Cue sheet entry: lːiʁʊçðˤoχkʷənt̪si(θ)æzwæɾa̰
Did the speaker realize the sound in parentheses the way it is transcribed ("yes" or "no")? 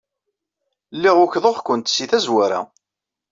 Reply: yes